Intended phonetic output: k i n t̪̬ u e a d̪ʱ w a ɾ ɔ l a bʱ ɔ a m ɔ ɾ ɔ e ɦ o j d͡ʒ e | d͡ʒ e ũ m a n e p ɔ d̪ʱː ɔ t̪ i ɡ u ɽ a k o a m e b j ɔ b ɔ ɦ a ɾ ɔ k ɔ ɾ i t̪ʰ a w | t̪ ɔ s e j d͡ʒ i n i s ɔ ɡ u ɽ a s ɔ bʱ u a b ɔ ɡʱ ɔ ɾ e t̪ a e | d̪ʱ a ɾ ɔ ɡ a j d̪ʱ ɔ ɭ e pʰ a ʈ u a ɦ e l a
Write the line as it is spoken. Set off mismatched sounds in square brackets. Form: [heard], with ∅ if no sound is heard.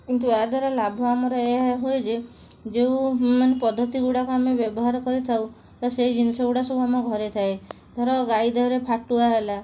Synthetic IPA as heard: k i n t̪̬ u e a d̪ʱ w a ɾ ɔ l a bʱ ɔ a m ɔ ɾ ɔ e ɦ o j d͡ʒ e | d͡ʒ e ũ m a n e p ɔ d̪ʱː ɔ t̪ i ɡ u ɽ a k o a m e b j ɔ b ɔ ɦ a ɾ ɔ k ɔ ɾ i t̪ʰ a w | t̪ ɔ s e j d͡ʒ i n i s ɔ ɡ u ɽ a s ɔ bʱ u a [m] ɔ ɡʱ ɔ ɾ e [t̪ʰ] a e | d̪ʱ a ɾ ɔ ɡ a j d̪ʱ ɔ [ɾ] e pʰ a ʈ u a ɦ e l a